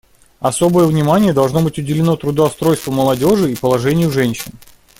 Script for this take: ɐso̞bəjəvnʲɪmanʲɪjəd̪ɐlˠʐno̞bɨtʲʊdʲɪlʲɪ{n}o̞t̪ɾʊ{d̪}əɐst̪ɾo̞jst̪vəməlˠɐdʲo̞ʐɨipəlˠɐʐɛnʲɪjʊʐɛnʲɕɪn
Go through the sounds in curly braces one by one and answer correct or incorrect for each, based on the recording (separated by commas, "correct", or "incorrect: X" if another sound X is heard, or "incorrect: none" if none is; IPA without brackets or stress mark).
correct, correct